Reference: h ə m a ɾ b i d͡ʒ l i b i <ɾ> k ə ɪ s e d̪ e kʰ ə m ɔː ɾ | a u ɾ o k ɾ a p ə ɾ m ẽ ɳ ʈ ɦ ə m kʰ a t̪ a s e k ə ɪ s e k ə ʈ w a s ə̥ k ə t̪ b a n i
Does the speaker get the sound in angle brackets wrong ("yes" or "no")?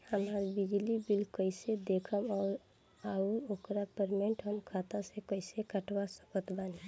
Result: yes